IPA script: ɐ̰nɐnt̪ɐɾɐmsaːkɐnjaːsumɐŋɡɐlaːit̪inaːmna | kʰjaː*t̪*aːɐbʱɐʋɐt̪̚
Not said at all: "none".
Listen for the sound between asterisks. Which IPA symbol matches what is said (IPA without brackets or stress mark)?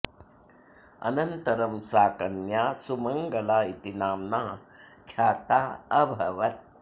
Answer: t̪